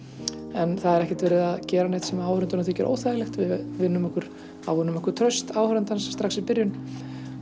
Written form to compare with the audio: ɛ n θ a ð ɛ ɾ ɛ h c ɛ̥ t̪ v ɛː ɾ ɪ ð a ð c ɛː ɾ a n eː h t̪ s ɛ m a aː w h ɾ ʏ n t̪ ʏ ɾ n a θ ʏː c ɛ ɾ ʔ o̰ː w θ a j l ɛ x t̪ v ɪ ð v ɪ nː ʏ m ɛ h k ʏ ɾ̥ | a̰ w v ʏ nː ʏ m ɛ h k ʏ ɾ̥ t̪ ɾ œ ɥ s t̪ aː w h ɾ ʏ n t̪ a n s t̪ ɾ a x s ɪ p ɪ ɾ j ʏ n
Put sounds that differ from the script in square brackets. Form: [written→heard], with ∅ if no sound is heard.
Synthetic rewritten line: ɛ n θ a ð ɛ ɾ ɛ h c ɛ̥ t̪ v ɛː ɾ ɪ ð a ð c ɛː ɾ a n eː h t̪ s ɛ m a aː w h ɾ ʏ n t̪ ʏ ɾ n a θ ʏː c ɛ ɾ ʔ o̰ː w θ a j l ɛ x t̪ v ɪ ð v ɪ nː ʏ m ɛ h k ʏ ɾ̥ | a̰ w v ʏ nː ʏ m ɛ h k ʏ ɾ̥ [t̪→t̪ʰ] ɾ œ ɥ s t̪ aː w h ɾ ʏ n t̪ a n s t̪ ɾ a x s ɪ p ɪ ɾ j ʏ n

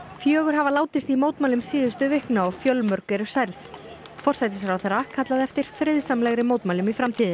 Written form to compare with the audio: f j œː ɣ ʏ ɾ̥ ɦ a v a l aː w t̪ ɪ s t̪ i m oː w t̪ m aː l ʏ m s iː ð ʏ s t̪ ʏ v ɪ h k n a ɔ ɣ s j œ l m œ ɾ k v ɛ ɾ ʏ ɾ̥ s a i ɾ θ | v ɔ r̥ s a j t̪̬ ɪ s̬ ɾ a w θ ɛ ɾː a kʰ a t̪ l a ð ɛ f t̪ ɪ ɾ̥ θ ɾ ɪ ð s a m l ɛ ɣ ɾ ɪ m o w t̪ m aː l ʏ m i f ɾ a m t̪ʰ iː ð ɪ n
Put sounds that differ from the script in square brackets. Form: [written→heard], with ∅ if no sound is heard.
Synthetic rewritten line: f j œː ɣ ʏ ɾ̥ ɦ a v a l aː w t̪ ɪ s t̪ i m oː w t̪ m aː l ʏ m s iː ð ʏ s t̪ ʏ v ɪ h k n a ɔ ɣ [s→f] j œ l m œ ɾ k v ɛ ɾ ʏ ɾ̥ s a [i→j] ɾ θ | [v→f] ɔ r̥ s a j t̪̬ ɪ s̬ ɾ a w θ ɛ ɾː a kʰ a t̪ l a ð ɛ f t̪ ɪ ɾ̥ [θ→f] ɾ ɪ ð s a m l ɛ ɣ ɾ ɪ m o w t̪ m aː l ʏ m i f ɾ a m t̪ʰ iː ð ɪ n

